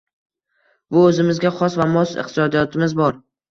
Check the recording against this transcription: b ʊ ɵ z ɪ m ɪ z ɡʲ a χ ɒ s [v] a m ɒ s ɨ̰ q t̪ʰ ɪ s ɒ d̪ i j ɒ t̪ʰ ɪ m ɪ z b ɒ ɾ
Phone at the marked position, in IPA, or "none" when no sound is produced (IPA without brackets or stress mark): v